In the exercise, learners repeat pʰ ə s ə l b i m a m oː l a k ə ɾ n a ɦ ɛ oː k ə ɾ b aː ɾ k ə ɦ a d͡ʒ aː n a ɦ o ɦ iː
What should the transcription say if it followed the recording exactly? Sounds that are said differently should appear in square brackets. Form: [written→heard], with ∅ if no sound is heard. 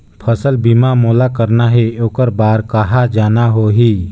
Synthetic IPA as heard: pʰ ə s ə l b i m a m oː l a k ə ɾ n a ɦ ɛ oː k ə ɾ b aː ɾ k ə ɦ a d͡ʒ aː n a ɦ o ɦ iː